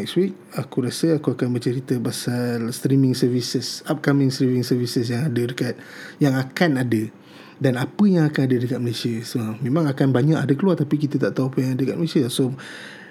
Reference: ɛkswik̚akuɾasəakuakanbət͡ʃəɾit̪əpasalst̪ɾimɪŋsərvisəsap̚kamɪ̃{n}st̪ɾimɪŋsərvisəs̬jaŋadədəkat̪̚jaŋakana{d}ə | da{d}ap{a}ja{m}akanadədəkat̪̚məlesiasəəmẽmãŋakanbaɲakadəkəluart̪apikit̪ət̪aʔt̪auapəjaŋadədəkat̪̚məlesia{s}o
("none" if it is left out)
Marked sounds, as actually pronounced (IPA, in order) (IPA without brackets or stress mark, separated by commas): ŋ, d, n, ə, ŋ, s